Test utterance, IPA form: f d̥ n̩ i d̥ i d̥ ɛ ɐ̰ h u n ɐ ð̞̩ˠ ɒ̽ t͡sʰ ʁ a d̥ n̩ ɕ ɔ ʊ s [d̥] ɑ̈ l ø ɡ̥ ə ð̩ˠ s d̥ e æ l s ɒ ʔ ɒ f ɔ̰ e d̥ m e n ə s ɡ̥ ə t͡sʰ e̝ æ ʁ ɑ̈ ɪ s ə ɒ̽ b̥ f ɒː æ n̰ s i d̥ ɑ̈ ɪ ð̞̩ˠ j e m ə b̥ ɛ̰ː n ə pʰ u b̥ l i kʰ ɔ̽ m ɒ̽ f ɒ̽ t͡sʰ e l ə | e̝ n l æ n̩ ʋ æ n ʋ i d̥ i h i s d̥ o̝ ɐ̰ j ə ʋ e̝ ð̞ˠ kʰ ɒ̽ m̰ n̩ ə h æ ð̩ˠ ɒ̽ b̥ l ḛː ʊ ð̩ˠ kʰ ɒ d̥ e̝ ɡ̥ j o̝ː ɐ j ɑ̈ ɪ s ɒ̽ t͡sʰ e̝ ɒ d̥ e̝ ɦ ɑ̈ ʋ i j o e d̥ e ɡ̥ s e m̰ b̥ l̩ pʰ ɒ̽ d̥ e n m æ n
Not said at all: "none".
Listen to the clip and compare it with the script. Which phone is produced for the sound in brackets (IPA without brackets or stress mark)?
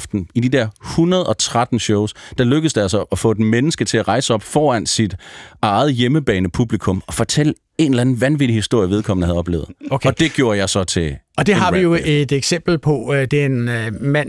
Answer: d̥